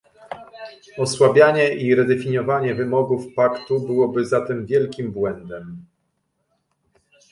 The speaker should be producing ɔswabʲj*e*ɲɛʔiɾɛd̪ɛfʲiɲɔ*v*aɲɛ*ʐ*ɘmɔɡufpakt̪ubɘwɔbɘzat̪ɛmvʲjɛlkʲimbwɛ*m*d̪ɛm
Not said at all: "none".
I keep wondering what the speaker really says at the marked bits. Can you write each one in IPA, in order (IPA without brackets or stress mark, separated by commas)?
a, v, v, n